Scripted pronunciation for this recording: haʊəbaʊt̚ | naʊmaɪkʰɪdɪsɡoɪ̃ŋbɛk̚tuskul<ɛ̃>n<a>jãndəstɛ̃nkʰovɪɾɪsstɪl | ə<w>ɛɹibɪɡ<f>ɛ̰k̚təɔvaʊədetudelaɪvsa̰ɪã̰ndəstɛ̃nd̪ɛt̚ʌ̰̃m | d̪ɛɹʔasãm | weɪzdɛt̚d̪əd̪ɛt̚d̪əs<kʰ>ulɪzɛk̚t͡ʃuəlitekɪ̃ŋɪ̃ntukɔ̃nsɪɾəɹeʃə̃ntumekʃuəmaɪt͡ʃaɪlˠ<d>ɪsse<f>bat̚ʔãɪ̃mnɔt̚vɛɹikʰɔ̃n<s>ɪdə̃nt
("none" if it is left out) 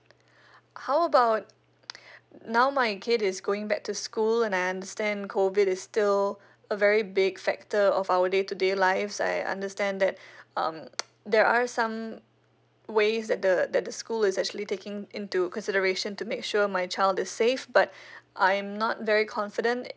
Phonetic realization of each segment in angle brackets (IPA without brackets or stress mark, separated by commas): ɛ̃, a, v, f, k, d, f, f